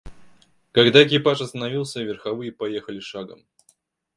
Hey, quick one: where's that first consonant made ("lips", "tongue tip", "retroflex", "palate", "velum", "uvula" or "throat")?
velum